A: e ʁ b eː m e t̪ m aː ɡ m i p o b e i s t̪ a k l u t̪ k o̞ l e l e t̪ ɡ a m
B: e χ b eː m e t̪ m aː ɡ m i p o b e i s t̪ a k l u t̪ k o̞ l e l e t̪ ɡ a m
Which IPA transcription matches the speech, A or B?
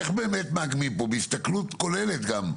B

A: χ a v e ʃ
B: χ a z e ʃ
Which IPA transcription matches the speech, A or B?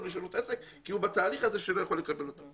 B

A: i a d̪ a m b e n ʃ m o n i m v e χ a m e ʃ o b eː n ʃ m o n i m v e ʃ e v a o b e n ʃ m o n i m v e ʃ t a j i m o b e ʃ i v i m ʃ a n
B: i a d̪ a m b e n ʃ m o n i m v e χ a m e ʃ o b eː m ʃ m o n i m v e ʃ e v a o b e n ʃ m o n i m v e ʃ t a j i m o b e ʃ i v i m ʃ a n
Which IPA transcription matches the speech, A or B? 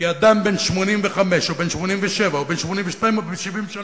A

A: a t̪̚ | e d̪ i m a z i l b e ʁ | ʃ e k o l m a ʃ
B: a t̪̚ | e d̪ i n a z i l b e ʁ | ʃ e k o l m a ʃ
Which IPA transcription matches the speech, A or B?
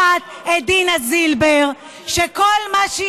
B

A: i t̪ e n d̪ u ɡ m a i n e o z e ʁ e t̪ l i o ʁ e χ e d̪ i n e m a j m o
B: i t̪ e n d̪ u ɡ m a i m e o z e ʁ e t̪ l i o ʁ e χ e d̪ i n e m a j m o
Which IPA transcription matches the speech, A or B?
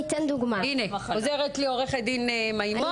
A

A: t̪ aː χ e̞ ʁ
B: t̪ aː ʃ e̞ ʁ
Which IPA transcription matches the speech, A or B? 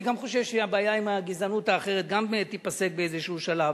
A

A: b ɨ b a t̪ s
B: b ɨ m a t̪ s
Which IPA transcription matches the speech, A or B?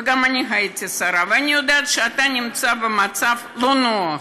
B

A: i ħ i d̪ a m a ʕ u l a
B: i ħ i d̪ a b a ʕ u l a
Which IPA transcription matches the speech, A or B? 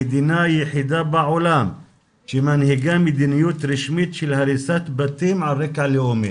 B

